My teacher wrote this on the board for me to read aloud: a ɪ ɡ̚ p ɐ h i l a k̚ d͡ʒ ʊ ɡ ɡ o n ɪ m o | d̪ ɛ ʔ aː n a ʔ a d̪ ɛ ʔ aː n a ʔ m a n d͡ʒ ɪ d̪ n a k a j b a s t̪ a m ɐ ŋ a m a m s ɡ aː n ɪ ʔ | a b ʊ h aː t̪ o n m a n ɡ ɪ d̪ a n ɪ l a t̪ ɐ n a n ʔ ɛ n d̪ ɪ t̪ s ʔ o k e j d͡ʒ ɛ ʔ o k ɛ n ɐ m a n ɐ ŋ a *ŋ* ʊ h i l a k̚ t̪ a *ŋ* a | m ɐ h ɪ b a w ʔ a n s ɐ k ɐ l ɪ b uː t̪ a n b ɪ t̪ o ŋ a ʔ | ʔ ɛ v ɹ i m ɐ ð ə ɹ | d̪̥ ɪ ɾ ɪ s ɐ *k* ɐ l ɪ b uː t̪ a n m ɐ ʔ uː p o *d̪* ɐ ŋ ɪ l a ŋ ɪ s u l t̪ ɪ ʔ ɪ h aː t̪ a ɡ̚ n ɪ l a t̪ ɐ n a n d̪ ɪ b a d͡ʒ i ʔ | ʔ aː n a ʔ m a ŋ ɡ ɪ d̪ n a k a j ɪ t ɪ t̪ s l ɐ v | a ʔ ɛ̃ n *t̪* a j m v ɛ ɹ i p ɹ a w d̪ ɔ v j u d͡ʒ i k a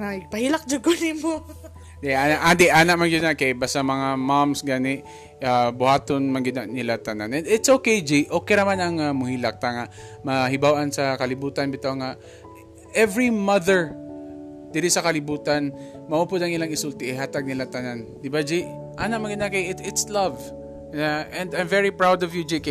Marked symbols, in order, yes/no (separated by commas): no, yes, yes, yes, no